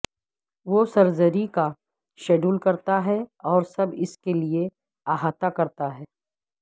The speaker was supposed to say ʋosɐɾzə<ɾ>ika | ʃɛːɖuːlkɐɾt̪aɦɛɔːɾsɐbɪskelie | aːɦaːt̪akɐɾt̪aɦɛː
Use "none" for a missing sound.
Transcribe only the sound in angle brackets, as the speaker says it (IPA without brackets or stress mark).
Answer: ɾ